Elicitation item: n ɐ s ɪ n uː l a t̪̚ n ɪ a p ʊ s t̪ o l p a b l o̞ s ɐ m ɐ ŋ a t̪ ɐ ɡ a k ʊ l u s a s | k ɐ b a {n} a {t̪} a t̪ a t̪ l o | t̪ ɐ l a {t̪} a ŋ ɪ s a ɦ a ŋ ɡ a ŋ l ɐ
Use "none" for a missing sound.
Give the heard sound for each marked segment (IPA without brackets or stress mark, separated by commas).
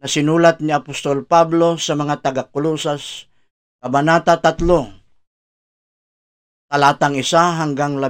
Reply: n, t̪, t̪